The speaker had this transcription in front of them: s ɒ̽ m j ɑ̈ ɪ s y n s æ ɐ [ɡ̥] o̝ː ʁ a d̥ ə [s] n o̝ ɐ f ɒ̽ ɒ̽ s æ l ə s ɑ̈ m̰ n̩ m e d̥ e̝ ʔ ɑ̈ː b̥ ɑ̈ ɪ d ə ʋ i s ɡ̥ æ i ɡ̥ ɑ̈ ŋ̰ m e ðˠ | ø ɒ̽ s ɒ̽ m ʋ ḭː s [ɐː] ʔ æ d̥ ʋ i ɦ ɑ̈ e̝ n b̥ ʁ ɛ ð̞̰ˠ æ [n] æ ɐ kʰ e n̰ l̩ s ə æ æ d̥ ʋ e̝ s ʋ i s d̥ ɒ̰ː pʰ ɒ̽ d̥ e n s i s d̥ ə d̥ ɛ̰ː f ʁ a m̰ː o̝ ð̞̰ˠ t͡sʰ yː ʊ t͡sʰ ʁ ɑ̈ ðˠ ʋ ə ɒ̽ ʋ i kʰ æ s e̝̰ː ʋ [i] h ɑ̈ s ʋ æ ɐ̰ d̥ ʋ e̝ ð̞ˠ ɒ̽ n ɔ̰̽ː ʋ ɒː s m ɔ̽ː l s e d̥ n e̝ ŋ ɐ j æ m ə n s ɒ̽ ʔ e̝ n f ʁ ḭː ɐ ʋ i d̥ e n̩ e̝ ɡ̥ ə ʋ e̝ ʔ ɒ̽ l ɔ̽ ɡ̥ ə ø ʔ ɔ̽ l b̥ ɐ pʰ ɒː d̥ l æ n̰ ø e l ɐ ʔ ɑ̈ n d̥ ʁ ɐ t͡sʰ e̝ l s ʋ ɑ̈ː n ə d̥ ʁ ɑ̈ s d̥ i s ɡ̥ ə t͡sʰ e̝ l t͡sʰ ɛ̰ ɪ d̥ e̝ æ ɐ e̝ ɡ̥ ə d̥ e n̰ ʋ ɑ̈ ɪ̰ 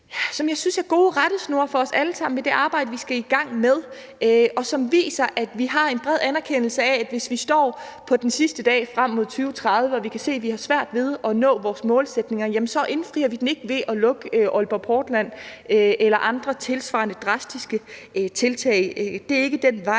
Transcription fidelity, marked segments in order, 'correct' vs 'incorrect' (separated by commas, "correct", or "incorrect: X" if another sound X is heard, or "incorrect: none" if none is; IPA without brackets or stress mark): correct, correct, incorrect: ɐ, correct, correct